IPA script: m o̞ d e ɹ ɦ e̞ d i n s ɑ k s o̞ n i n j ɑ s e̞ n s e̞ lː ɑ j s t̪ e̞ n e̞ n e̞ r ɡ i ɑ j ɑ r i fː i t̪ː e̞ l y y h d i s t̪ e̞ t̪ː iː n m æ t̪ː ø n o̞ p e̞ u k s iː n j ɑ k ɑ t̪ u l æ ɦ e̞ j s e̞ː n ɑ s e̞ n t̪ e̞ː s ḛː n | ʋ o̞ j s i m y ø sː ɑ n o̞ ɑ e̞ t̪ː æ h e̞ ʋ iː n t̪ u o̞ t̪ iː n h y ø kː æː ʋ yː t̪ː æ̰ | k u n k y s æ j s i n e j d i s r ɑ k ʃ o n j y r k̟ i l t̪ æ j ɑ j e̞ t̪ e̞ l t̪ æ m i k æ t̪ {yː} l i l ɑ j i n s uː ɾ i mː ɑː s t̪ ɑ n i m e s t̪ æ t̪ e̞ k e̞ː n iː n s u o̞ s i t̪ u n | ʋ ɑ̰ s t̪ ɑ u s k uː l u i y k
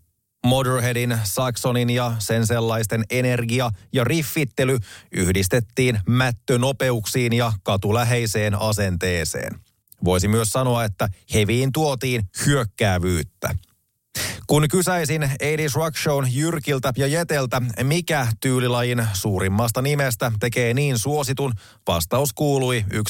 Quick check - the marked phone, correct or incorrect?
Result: correct